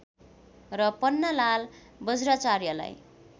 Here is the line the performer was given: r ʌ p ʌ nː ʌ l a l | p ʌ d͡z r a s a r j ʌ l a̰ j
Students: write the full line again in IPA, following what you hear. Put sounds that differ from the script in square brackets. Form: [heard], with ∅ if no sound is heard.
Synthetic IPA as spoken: r ʌ p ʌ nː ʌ l a l | [b] ʌ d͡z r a [t͡s] a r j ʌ l a̰ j